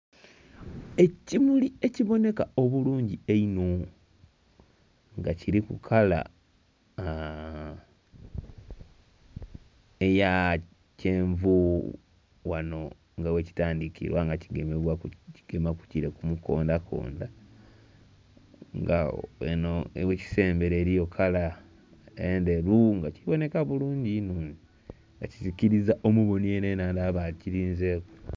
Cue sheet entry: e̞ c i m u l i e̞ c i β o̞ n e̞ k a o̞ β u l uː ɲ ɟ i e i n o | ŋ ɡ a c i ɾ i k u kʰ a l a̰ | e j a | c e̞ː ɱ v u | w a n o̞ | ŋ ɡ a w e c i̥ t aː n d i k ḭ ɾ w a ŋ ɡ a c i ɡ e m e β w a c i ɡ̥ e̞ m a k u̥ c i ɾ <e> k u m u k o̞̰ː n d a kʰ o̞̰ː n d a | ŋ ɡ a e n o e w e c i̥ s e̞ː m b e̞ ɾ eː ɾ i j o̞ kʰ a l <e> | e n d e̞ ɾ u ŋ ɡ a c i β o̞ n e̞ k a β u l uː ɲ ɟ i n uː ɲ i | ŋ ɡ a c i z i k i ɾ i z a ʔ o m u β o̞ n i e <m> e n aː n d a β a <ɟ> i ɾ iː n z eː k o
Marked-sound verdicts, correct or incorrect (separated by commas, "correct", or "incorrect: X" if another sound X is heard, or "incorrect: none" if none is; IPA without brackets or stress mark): correct, incorrect: a, incorrect: n, incorrect: c